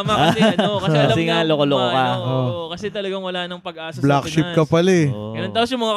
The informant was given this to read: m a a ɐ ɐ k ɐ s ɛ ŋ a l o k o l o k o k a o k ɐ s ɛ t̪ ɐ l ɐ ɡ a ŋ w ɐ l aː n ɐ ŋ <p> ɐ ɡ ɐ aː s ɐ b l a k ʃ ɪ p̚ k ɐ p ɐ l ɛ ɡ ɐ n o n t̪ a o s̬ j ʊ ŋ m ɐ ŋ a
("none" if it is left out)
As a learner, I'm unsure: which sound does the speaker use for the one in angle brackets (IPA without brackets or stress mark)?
p